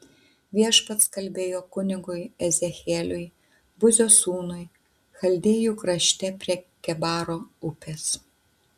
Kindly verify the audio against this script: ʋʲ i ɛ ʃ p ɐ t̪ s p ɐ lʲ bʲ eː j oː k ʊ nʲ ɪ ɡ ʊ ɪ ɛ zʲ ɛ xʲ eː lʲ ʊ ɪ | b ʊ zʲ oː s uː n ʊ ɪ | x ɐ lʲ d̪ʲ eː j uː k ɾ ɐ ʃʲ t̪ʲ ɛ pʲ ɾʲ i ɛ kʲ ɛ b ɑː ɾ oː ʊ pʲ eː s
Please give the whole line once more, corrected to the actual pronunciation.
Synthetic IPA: ʋʲ i ɛ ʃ p ɐ t̪ s k ɐ lʲ bʲ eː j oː k ʊ nʲ ɪ ɡ ʊ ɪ ɛ zʲ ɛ xʲ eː lʲ ʊ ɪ | b ʊ zʲ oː s uː n ʊ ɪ | x ɐ lʲ d̪ʲ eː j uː k ɾ ɐ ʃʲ t̪ʲ ɛ pʲ ɾʲ i ɛ kʲ ɛ b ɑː ɾ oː ʊ pʲ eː s